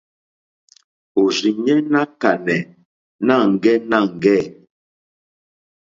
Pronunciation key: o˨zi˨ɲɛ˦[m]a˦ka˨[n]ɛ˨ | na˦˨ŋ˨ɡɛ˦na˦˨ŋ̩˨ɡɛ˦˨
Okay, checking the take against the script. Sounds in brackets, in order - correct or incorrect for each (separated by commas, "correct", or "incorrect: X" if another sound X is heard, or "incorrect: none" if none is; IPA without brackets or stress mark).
incorrect: n, correct